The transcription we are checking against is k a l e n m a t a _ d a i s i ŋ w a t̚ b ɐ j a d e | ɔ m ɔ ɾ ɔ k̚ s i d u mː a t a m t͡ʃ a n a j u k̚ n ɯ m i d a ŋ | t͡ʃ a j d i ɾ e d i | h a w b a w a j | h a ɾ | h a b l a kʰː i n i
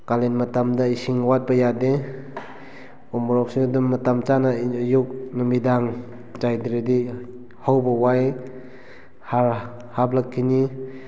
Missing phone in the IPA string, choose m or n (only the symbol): m